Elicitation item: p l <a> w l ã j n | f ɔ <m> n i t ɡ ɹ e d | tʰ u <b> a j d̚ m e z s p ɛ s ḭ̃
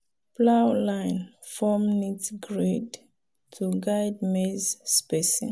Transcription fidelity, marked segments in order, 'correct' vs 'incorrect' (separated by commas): correct, correct, incorrect